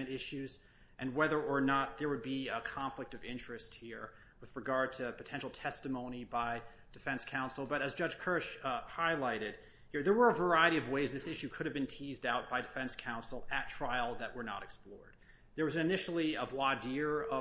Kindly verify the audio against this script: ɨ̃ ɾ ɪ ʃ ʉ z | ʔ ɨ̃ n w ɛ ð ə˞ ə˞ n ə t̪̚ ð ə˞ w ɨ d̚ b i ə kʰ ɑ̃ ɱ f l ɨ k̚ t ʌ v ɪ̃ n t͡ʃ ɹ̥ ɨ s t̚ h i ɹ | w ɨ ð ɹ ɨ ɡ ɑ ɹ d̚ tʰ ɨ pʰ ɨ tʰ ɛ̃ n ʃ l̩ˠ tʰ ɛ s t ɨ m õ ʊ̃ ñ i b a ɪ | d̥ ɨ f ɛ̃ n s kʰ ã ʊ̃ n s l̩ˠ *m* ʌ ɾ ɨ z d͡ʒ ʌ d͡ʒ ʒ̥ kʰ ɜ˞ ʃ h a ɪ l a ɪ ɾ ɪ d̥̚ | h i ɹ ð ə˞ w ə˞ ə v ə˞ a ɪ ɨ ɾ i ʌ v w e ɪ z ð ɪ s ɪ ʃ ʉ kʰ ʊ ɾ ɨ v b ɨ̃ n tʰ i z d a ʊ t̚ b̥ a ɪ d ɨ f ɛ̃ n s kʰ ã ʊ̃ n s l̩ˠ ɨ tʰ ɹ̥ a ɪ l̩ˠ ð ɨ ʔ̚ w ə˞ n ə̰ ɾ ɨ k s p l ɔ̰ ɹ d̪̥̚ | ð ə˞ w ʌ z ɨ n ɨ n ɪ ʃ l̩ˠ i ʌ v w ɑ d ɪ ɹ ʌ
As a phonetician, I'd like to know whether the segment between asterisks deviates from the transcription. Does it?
yes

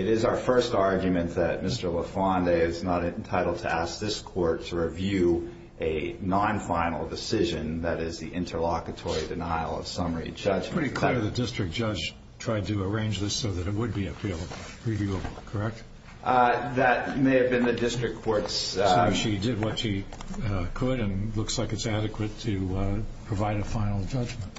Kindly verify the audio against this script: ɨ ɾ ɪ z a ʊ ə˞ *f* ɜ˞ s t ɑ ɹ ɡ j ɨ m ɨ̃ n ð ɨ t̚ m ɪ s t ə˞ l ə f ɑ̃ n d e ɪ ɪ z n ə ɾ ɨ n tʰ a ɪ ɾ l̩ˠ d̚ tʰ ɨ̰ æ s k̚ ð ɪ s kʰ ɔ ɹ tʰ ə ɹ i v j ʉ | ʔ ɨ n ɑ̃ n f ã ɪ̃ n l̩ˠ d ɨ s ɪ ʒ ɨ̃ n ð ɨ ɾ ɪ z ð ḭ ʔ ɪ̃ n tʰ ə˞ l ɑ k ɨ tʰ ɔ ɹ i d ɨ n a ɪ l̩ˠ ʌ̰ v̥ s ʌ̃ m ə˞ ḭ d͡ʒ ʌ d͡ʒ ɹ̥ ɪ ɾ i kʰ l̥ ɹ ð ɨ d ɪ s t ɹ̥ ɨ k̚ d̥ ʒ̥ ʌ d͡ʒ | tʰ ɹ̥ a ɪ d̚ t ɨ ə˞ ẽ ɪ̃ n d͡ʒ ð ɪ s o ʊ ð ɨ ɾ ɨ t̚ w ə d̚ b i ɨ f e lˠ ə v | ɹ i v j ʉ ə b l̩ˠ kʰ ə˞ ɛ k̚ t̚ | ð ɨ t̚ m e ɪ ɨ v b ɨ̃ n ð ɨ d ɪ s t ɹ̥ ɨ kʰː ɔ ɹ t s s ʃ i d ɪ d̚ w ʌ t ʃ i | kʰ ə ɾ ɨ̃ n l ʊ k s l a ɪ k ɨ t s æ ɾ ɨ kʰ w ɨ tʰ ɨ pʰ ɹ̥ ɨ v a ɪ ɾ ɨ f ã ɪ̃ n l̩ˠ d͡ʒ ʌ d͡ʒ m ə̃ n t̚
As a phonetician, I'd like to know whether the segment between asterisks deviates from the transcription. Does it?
no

